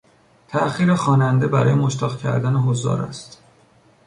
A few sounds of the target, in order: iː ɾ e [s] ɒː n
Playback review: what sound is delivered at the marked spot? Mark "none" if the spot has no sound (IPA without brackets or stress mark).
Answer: x